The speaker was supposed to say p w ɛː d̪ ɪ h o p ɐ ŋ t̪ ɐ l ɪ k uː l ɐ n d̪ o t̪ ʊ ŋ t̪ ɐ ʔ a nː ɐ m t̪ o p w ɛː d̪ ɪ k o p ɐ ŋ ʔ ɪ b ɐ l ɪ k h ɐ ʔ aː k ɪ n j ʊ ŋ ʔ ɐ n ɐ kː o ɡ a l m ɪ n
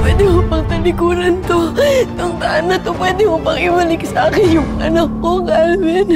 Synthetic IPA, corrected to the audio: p w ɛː d̪ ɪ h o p ɐ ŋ t̪ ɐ l ɪ k uː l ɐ n t̪ o t̪ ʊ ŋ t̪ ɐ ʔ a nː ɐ t̪ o p w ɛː d̪ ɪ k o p ɐ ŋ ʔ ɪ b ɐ l ɪ k s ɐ ʔ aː k ɪ n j ʊ ŋ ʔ ɐ n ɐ kː o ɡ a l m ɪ n